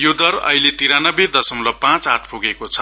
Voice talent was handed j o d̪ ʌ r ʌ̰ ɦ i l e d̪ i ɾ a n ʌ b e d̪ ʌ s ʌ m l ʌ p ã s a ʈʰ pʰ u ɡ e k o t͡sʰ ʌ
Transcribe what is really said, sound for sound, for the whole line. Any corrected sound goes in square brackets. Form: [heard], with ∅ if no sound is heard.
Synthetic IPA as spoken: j o d̪ ʌ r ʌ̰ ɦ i l e [t̪] i ɾ a n ʌ b e d̪ ʌ s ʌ m l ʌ p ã [t͡s] a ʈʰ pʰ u ɡ e k o t͡sʰ ʌ